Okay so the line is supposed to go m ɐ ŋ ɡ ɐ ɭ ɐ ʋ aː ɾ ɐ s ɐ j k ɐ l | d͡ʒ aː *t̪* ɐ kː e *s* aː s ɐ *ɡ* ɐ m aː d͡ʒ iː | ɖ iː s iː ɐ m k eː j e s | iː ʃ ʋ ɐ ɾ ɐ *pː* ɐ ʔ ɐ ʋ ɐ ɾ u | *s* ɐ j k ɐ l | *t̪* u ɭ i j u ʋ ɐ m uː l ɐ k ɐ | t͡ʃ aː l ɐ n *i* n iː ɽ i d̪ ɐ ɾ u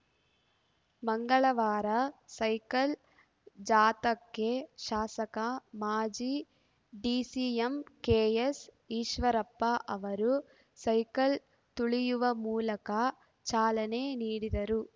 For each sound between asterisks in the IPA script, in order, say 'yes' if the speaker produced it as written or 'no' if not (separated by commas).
yes, no, no, yes, yes, yes, no